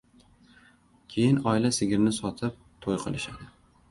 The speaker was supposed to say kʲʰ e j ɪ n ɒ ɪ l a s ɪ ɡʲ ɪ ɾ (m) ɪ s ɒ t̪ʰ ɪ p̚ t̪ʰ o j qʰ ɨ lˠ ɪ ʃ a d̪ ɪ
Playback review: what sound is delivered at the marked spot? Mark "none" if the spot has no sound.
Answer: n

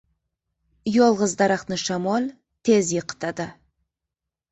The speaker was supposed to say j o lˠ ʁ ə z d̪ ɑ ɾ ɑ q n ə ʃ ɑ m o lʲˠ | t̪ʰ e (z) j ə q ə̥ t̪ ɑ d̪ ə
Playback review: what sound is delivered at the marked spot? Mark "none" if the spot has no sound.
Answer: z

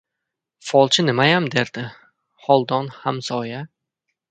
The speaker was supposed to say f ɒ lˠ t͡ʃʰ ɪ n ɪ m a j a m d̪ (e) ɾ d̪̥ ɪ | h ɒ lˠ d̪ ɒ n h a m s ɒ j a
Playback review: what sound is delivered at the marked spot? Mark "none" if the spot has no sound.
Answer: e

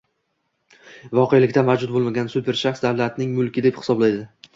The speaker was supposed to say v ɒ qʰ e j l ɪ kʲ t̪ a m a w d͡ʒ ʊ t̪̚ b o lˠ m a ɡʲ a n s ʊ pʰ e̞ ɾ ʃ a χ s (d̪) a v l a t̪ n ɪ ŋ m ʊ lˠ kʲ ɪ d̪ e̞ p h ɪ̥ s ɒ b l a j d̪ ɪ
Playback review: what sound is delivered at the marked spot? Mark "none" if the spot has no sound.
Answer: d̪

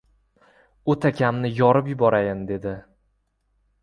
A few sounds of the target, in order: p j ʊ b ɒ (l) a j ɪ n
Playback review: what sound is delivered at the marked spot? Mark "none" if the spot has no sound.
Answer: ɾ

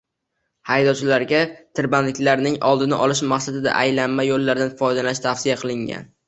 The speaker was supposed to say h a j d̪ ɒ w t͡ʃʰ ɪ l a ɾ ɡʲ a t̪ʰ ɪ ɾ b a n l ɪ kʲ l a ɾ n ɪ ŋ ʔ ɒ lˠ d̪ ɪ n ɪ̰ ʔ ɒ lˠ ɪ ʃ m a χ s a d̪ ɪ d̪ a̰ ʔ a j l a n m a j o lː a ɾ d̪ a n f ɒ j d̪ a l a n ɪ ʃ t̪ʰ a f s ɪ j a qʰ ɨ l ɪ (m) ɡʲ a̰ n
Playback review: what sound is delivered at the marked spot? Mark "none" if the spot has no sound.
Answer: ŋ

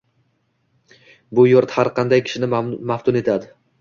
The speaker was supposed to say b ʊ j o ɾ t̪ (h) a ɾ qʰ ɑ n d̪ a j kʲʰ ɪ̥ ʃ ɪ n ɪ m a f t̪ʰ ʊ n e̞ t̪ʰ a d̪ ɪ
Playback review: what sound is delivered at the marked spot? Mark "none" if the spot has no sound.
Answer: h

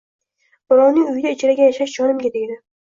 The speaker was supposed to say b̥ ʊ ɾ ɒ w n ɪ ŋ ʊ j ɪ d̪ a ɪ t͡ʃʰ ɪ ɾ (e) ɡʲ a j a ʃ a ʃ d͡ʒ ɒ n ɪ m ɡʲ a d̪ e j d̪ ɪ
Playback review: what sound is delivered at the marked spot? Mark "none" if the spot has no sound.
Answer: a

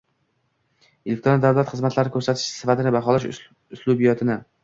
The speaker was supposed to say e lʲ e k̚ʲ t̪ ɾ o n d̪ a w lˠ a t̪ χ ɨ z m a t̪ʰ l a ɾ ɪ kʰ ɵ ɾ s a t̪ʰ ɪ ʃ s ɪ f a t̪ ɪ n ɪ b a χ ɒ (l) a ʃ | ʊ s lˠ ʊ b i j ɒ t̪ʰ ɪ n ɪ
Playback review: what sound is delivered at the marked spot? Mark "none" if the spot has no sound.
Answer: l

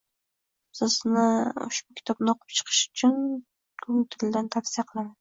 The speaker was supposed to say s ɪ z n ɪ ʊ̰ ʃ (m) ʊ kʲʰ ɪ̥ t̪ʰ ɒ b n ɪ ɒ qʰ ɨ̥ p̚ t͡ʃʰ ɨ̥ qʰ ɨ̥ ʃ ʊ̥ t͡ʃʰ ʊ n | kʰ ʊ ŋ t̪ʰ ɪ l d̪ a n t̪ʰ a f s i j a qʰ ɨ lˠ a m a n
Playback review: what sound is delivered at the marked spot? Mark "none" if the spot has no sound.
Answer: b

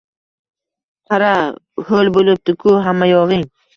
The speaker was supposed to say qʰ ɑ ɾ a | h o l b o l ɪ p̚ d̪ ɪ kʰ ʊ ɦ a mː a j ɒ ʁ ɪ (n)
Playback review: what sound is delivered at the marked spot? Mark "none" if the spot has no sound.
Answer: ŋ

